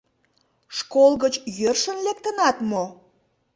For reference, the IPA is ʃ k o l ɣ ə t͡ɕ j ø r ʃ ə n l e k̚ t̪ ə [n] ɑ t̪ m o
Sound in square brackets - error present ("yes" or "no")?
no